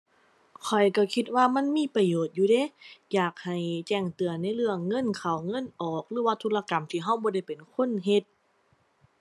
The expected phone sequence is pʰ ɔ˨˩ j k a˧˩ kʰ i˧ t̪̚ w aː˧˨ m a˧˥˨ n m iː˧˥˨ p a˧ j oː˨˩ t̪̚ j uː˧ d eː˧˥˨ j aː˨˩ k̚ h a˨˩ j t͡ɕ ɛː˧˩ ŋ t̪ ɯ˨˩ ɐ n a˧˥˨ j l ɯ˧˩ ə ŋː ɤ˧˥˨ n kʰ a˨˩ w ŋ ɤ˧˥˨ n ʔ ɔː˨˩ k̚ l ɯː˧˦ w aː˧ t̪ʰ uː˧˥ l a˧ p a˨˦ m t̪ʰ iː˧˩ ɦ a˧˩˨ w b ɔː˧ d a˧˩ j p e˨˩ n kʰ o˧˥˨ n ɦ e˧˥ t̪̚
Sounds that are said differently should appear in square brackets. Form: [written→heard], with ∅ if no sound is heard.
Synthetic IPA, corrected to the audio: [pʰ→kʰ] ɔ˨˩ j k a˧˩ kʰ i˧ t̪̚ w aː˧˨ m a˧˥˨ n m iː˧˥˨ p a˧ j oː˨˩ t̪̚ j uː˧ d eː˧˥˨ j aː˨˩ k̚ h a˨˩ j t͡ɕ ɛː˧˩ ŋ t̪ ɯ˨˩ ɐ n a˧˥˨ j l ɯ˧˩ ə ŋː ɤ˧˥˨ n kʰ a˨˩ w ŋ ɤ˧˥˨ n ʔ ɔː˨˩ k̚ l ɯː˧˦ w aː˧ t̪ʰ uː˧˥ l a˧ [p→k] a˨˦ m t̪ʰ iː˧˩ ɦ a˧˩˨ w b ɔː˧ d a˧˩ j p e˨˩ n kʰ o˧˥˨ n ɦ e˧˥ t̪̚